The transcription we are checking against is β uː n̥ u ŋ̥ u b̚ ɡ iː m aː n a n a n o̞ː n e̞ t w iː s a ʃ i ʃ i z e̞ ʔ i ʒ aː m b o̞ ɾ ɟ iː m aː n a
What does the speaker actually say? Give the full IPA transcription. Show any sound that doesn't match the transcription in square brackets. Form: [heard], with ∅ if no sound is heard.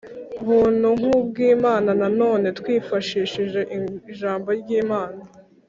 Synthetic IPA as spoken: β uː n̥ u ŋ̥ u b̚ ɡ iː m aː n a n a n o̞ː n e̞ t w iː [f] a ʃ i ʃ i [ʒ] e̞ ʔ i ʒ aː m b o̞ ɾ ɟ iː m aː n a